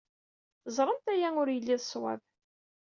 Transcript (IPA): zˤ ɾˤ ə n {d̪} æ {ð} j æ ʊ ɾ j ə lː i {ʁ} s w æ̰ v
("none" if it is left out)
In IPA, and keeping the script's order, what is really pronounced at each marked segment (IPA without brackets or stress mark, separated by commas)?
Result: t̪, none, ð